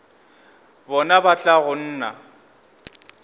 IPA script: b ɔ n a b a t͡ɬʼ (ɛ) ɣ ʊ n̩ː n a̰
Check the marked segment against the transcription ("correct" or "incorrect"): incorrect